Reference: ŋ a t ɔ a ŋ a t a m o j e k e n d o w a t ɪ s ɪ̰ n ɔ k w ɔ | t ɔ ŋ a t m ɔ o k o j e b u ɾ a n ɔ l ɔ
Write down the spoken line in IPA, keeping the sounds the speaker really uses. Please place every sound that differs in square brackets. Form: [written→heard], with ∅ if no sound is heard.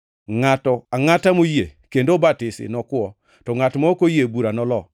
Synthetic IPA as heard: ŋ a t ɔ a ŋ a t a m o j e k e n d o [w→b] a t ɪ s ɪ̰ n ɔ k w ɔ | t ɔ ŋ a t m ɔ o k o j e b u ɾ a n ɔ l ɔ